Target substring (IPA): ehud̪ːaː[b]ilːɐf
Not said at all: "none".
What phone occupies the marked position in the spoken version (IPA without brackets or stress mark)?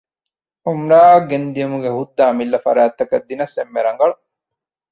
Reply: m